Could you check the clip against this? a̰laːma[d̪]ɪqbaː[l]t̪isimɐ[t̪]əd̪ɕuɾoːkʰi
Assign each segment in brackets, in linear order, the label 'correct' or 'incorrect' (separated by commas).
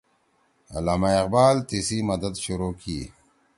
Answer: incorrect, correct, incorrect